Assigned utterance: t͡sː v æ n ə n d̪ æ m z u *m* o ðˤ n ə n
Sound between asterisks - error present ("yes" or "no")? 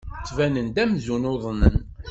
yes